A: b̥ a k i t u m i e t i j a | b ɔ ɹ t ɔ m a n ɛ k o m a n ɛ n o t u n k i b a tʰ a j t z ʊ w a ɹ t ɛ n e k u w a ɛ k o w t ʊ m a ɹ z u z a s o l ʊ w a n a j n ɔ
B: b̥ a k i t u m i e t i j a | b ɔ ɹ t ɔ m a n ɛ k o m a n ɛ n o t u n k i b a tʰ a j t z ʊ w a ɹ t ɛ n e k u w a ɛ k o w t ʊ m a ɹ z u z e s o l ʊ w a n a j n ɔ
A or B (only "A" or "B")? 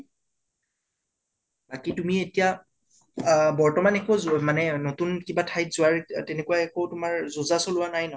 A